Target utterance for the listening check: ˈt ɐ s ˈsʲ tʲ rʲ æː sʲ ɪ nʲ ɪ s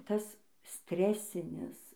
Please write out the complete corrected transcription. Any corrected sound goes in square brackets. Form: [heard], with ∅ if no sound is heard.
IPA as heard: ˈt ɐ s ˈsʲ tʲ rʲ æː sʲ ɪ nʲ ɪ s